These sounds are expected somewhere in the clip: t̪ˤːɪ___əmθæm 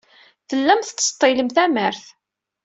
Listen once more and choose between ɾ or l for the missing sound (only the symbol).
l